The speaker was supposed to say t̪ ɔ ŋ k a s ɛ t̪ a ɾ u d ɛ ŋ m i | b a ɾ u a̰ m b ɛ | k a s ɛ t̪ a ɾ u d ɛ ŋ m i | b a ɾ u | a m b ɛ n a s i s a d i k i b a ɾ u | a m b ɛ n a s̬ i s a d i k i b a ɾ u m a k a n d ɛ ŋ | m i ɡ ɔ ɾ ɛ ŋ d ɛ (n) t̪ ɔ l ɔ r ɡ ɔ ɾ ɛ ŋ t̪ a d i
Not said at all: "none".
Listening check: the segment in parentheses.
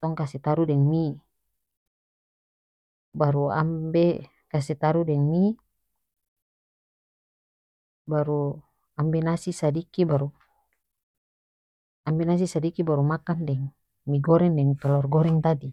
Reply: ŋ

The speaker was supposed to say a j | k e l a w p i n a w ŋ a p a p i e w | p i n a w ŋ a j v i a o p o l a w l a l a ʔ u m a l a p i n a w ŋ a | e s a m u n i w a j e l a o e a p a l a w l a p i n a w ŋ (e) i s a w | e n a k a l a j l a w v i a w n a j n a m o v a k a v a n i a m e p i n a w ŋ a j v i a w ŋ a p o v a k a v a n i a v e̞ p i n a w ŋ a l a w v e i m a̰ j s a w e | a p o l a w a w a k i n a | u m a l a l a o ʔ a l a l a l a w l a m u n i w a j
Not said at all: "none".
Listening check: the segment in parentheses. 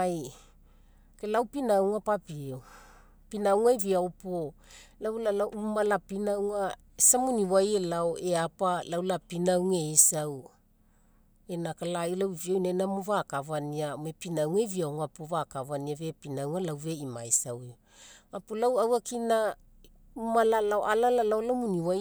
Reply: e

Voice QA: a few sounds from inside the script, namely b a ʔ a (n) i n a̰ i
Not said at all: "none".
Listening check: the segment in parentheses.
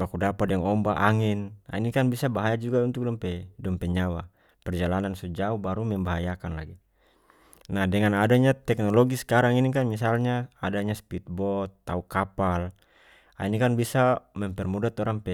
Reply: ŋ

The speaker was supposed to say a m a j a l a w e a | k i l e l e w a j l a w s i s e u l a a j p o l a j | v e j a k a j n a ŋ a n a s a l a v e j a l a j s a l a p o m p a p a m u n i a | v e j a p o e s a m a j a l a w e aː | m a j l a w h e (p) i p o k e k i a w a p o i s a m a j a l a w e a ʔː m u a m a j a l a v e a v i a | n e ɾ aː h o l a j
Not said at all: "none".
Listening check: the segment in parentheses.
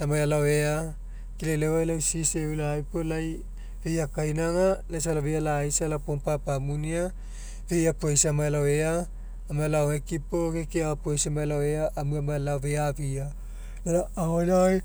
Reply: k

